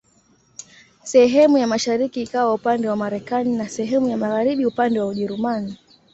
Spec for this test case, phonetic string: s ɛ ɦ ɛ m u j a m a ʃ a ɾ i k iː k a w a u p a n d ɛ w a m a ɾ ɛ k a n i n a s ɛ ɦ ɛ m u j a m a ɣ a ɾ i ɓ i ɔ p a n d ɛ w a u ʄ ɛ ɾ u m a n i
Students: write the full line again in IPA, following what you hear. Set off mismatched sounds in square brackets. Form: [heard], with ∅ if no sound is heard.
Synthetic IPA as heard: s ɛ ɦ ɛ m u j a m a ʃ a ɾ i k iː k a w a u p a n d ɛ w a m a ɾ ɛ k a n i n a s ɛ ɦ ɛ m u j a m a ɣ a ɾ i ɓ i [u] p a n d ɛ w a u ʄ ɛ ɾ u m a n i